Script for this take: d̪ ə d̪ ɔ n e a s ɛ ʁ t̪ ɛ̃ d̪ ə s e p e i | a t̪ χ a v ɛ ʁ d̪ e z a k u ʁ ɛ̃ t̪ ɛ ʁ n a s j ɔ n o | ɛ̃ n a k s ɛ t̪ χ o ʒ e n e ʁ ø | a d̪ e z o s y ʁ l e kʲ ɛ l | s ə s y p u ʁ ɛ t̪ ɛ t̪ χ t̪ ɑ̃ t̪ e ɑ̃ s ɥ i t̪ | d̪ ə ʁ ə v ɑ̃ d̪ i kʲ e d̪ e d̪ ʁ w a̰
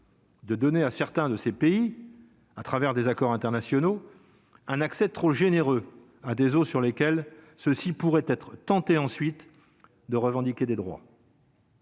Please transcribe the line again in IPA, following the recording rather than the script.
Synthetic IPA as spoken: d̪ ə d̪ ɔ n e a s ɛ ʁ t̪ ɛ̃ d̪ ə s e p e i | a t̪ χ a v ɛ ʁ d̪ e z a k ɔ ʁ ɛ̃ t̪ ɛ ʁ n a s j ɔ n o | ɛ̃ n a k s ɛ t̪ χ o ʒ e n e ʁ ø | a d̪ e z o s y ʁ l e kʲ ɛ l | s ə s i p u ʁ ɛ t̪ ɛ t̪ χ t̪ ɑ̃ t̪ e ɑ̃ s ɥ i t̪ | d̪ ə ʁ ə v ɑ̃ d̪ i kʲ e d̪ e d̪ ʁ w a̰